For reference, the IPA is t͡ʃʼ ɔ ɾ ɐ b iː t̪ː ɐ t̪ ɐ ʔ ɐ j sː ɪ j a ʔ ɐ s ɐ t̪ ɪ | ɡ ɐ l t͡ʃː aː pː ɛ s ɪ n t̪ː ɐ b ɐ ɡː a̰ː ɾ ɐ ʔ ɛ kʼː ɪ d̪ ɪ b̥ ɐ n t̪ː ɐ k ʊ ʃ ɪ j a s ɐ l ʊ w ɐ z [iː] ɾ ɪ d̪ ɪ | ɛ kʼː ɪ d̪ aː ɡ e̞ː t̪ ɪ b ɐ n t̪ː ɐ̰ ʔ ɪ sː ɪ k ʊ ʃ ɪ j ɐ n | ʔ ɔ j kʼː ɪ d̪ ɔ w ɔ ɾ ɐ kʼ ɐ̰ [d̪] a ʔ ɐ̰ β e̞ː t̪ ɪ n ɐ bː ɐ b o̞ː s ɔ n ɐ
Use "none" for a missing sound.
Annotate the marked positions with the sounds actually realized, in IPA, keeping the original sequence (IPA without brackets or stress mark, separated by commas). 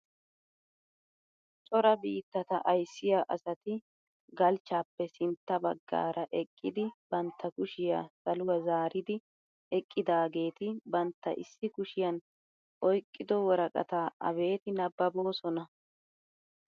aː, t̪